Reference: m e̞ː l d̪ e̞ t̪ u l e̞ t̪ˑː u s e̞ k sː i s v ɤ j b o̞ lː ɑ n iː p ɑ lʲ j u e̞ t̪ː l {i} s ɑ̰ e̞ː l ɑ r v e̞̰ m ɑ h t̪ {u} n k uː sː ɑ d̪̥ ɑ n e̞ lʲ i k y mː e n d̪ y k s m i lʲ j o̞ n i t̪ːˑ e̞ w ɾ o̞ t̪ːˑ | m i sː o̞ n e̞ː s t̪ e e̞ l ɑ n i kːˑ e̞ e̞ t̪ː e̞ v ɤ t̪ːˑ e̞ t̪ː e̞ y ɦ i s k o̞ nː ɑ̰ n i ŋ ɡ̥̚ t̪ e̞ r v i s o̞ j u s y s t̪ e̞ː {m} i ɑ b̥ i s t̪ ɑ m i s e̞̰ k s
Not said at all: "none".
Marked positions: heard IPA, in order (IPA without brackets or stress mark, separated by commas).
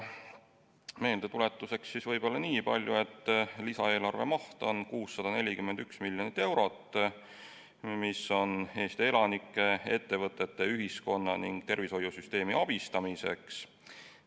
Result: i, o, m